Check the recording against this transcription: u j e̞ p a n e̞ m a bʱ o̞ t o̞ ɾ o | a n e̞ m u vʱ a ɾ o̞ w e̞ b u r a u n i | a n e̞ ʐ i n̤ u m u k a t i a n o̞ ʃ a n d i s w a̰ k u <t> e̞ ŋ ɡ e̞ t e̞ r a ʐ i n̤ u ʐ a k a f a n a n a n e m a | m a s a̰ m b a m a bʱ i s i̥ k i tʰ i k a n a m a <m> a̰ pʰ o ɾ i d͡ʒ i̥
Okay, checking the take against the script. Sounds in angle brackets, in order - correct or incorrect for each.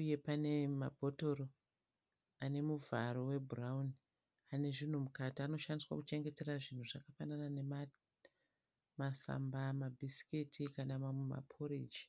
incorrect, correct

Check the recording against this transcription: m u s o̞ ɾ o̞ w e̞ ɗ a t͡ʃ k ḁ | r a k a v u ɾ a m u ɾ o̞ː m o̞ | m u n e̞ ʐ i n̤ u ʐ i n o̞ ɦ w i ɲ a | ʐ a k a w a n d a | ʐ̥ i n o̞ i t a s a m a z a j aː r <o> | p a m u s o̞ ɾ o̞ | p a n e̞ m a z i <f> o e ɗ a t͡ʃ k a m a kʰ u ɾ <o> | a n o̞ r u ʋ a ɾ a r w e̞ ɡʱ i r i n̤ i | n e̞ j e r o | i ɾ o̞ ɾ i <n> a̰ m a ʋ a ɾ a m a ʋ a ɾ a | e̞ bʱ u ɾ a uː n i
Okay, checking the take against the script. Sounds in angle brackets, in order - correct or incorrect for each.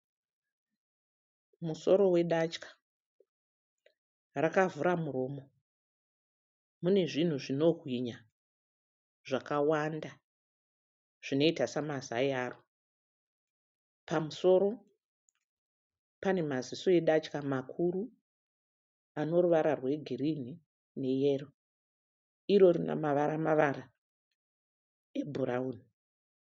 correct, incorrect, incorrect, correct

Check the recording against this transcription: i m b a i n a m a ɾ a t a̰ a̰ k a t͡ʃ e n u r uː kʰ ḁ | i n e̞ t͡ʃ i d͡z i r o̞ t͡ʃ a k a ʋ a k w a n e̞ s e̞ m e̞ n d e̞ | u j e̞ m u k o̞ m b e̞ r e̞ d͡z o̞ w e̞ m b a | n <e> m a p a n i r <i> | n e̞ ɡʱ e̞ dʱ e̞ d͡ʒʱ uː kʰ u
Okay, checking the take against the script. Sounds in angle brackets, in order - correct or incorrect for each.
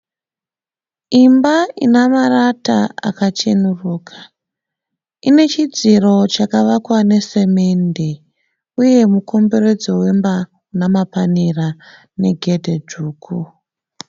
incorrect, incorrect

